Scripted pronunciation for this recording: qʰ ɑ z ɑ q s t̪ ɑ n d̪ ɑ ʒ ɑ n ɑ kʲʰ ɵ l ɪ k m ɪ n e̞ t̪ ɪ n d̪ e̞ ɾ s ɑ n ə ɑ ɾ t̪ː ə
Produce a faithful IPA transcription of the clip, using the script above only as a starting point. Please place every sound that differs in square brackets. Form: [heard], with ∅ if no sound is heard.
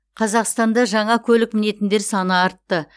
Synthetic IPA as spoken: qʰ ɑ z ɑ q s t̪ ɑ n d̪ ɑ ʒ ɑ [ɴ] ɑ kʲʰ ɵ l ɪ k m ɪ n e̞ t̪ ɪ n d̪ e̞ ɾ s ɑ n ə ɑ ɾ t̪ː ə